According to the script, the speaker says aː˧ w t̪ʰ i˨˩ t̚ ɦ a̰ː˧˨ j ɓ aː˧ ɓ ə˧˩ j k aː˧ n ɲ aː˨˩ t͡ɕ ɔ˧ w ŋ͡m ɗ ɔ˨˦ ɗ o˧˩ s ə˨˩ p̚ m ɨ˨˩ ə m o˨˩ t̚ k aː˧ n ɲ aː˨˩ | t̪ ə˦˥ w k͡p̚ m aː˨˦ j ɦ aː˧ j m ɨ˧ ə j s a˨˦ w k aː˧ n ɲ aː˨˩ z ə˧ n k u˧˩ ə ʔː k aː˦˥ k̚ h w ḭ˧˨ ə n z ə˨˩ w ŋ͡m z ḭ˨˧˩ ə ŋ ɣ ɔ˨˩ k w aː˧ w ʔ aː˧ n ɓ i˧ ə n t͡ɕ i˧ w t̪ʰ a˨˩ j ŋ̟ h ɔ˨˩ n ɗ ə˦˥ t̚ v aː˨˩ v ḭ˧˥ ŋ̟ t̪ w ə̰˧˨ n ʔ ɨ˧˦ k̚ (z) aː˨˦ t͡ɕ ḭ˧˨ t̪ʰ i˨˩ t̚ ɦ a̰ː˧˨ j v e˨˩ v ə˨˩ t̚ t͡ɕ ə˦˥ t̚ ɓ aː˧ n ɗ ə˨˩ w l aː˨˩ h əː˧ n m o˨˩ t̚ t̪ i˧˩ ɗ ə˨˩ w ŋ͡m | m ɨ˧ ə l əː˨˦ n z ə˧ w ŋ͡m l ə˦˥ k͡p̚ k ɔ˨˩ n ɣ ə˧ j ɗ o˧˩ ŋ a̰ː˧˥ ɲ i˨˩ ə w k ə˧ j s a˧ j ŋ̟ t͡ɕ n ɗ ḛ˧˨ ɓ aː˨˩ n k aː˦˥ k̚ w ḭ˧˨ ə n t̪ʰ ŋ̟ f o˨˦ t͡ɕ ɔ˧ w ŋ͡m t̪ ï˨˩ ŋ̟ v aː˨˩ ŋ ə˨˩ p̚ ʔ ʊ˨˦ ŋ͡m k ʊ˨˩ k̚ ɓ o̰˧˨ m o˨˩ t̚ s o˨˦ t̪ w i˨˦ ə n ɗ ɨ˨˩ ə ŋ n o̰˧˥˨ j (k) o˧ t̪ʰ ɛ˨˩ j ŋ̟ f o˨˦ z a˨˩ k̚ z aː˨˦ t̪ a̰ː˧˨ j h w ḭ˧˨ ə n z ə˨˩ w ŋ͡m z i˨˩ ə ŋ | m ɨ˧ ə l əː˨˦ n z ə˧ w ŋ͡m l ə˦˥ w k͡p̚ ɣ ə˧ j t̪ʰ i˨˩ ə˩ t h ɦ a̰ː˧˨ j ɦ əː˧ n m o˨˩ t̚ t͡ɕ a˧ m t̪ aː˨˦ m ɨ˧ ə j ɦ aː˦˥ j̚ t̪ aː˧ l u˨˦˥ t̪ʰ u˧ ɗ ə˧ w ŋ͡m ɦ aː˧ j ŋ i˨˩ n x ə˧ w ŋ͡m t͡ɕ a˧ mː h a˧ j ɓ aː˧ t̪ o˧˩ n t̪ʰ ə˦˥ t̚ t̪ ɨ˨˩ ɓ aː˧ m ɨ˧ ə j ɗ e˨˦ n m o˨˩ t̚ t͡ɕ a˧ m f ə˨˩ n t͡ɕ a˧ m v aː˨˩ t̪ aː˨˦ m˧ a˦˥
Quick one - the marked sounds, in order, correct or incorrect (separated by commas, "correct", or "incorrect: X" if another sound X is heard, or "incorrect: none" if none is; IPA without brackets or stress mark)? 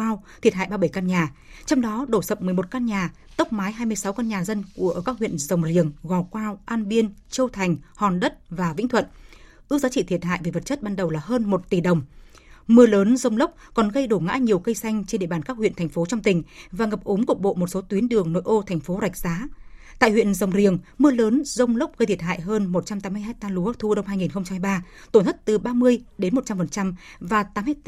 correct, incorrect: ʔ